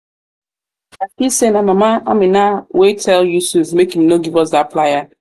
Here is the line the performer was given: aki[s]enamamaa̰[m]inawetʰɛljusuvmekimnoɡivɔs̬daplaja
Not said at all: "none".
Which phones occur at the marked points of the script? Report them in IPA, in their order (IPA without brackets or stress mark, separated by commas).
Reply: s, m